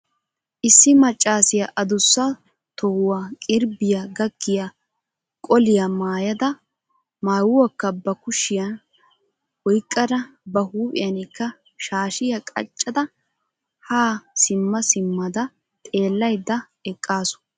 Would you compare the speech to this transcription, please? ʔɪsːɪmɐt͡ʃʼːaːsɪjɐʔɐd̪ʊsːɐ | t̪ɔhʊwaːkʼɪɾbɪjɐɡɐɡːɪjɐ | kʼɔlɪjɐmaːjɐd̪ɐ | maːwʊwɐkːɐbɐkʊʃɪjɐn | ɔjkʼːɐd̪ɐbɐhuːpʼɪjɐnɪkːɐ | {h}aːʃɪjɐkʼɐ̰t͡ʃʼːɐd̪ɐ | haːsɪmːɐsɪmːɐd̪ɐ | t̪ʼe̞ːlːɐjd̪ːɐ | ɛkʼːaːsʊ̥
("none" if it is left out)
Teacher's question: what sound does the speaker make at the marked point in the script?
ʃ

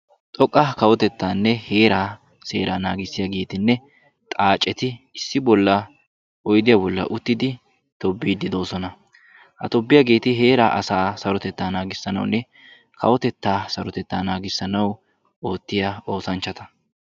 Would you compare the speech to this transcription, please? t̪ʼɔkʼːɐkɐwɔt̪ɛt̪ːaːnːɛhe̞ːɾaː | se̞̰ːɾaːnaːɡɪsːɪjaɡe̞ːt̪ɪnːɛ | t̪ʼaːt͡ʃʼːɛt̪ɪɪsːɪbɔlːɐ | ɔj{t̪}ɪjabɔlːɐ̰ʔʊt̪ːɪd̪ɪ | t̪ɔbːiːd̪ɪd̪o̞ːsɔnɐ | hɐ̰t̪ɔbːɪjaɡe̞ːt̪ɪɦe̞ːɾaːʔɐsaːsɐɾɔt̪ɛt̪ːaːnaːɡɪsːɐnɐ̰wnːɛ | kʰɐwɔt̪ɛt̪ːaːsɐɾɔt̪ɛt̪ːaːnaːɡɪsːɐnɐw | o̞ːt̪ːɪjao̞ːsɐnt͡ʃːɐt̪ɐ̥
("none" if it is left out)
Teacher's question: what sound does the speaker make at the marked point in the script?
d̪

